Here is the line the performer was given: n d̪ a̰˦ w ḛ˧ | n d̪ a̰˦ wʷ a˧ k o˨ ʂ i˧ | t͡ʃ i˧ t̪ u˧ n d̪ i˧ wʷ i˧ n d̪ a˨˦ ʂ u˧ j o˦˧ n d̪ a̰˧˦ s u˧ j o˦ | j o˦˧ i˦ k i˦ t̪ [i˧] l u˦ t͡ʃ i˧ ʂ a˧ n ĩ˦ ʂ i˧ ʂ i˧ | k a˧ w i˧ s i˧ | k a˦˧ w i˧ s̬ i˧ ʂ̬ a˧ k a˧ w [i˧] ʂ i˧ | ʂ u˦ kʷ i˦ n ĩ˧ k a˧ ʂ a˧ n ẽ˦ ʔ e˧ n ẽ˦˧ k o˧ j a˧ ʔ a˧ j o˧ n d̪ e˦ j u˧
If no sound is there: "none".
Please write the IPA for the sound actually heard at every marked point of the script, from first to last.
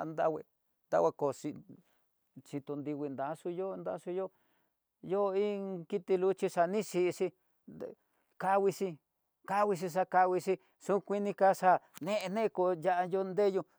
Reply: i˧, i˧

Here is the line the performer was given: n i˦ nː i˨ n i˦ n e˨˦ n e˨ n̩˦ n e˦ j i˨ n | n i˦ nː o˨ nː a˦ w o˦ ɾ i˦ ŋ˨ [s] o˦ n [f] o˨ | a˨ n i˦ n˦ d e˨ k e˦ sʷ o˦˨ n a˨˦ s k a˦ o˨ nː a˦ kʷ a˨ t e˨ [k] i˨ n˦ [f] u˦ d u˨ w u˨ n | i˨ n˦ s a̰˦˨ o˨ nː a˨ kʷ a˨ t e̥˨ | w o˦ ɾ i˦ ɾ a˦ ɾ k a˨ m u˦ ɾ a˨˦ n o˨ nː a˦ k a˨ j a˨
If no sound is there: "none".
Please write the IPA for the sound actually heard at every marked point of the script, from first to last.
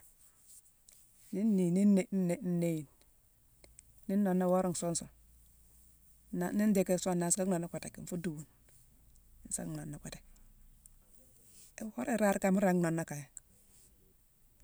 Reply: s, s, k, f

